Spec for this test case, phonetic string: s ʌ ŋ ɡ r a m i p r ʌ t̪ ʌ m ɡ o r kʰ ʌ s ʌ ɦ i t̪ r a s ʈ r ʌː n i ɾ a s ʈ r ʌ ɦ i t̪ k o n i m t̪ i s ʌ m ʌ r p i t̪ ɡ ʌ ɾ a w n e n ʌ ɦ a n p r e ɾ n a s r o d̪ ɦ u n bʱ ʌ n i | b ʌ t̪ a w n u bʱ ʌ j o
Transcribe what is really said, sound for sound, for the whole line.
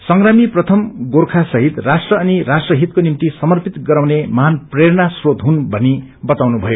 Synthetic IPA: s ʌ ŋ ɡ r a m i p r ʌ t̪ʰ ʌ m ɡ o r kʰ a s ʌ ɦ i t̪ r a s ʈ r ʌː n i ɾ a s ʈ r ʌ ɦ i t̪ k o n i m t̪ i s ʌ m ʌ r p i t̪ ɡ ʌ ɾ a w n e m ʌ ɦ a n p r e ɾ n a s r o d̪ ɦ u n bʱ ʌ n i | b ʌ t̪ a w n u bʱ ʌ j o